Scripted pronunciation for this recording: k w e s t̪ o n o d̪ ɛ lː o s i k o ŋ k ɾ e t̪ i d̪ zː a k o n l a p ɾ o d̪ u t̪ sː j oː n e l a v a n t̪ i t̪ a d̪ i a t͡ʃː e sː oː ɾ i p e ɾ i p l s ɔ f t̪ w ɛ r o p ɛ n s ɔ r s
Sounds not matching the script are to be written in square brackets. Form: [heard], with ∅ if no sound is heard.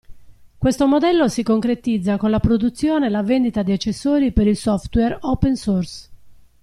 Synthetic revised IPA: k w e s t̪ o [m] o d̪ ɛ lː o s i k o ŋ k ɾ e t̪ i d̪ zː a k o n l a p ɾ o d̪ u t̪ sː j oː n e l a v [e] n [d̪] i t̪ a d̪ i a t͡ʃː e sː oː ɾ i p e ɾ i [∅] l s ɔ f t̪ w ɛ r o p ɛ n s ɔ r s